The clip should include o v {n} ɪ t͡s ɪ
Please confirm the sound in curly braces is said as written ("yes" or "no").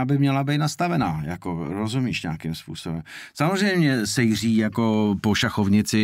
no